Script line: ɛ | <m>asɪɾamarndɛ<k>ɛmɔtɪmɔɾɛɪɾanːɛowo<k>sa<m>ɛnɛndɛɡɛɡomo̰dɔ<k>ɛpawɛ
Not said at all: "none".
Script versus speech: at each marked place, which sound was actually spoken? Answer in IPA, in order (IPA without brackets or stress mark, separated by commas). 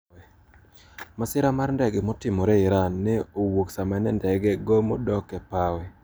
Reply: m, ɡ, k, m, k